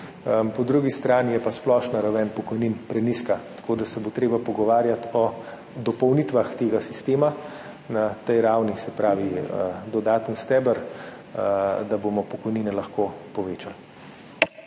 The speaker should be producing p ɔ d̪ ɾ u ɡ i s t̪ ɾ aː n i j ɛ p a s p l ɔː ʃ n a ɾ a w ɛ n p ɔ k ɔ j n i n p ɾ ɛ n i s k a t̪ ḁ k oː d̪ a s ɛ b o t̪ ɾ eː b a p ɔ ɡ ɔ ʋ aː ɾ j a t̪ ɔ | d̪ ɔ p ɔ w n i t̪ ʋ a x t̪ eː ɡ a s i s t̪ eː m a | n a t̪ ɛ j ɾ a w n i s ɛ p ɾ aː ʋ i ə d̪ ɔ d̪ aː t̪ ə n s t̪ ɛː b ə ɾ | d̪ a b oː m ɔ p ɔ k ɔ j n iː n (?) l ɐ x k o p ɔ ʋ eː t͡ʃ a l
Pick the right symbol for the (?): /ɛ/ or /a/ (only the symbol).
ɛ